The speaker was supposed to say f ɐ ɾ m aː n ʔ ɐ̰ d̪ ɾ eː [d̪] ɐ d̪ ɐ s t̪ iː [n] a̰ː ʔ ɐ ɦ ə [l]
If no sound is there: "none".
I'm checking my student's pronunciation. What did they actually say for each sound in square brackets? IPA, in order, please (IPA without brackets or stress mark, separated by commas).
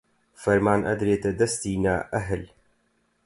t̪, n, l